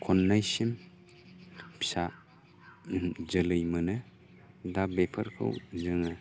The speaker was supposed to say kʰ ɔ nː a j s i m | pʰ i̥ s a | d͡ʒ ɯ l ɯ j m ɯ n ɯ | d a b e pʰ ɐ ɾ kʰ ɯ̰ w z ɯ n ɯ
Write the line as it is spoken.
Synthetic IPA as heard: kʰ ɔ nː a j s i m | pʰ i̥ s a | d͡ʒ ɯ l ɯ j m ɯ n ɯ | d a b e pʰ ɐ ɾ kʰ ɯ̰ w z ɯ ŋ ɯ